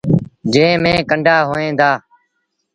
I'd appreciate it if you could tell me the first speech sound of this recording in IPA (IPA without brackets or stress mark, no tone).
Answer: d͡ʒ